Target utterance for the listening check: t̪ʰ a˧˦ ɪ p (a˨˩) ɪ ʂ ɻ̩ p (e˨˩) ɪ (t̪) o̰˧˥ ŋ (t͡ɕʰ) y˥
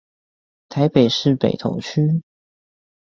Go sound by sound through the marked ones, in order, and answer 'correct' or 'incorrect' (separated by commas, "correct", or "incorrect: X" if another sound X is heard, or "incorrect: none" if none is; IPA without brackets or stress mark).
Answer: incorrect: e˨˩, correct, incorrect: t̪ʰ, correct